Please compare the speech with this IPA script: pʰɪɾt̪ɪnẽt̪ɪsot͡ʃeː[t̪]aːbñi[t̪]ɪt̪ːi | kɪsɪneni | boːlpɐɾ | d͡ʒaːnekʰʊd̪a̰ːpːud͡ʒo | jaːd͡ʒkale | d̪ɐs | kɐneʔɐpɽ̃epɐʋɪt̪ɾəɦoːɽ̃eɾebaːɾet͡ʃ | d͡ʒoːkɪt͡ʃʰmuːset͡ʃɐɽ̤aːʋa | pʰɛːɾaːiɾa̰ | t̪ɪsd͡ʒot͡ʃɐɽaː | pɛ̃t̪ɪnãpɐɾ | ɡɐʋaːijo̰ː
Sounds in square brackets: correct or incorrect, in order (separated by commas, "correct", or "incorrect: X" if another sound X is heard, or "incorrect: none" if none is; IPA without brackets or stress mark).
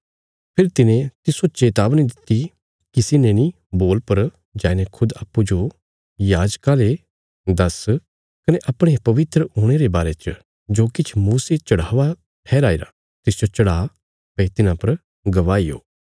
correct, incorrect: d̪